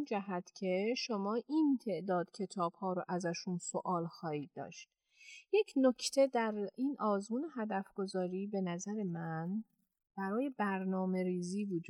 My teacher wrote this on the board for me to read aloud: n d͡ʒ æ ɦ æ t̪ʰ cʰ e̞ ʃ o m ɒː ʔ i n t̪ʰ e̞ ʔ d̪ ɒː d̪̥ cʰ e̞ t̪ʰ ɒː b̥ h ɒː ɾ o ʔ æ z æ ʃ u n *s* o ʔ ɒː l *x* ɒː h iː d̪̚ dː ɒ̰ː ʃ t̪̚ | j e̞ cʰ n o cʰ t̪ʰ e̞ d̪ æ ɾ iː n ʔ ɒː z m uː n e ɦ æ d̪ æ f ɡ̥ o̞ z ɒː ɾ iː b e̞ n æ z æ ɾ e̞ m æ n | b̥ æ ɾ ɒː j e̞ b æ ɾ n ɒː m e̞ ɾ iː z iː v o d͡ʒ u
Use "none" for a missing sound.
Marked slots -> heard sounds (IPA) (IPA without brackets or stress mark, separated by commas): s, x